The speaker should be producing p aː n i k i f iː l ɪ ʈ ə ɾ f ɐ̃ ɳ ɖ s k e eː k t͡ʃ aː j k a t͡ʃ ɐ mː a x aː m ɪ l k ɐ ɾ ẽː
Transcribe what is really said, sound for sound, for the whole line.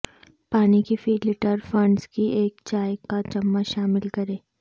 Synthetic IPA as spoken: p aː n i k i f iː l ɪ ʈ ə ɾ f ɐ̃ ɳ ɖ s k i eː k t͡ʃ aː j k a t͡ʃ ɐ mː a ʃ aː m ɪ l k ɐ ɾ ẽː